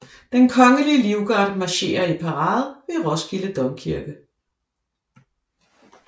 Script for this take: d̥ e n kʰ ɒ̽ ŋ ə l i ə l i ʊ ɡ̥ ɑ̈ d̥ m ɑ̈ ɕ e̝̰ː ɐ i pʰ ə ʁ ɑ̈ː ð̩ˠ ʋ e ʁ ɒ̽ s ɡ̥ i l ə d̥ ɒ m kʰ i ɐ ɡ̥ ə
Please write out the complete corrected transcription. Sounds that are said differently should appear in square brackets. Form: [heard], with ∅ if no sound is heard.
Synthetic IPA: d̥ e n kʰ ɒ̽ ŋ ə l i ə l i ʊ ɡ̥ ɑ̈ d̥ m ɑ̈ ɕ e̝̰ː ɐ i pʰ [ɑ] ʁ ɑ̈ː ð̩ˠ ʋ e ʁ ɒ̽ s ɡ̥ i l ə d̥ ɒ m kʰ i ɐ ɡ̥ ə